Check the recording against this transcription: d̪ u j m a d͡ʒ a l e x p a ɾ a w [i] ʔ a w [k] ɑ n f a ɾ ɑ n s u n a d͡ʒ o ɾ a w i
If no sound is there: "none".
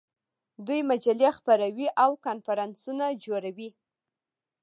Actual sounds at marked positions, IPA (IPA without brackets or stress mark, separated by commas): i, k